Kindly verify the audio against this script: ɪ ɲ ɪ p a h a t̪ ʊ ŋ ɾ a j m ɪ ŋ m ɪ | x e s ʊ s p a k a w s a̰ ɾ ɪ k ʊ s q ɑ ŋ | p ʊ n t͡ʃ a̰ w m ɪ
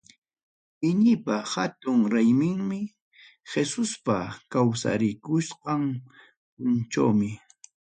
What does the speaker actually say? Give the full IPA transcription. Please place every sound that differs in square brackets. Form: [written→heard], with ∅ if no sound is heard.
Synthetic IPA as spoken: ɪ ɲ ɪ p a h a t̪ ʊ ŋ ɾ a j m ɪ ŋ m ɪ | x e s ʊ s p a k a w s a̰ ɾ ɪ k ʊ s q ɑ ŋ | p ʊ n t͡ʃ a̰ w m ɪ